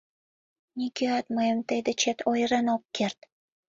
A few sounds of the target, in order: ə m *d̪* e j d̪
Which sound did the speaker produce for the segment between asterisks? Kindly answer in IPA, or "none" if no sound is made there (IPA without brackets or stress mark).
t̪